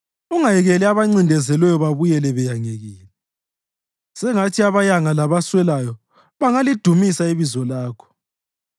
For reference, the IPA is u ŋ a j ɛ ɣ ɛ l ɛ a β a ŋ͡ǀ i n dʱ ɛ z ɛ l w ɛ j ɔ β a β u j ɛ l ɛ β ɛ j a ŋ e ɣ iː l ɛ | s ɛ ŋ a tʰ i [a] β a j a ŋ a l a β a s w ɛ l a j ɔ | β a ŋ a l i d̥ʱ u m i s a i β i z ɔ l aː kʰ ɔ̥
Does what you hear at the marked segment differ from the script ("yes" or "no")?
no